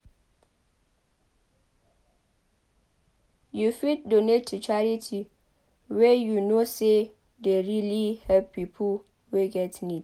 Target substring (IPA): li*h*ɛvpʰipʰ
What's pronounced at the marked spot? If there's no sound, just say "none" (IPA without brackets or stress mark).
h